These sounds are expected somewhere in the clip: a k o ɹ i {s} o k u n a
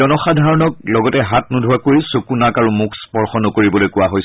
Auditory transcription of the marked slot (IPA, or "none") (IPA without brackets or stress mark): s